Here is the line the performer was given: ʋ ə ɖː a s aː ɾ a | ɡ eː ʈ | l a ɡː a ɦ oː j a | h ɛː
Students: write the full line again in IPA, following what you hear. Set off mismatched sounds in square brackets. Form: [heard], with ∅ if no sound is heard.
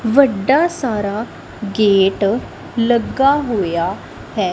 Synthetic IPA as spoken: ʋ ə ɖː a s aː ɾ a | ɡ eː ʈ | l [ə] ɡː a ɦ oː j a | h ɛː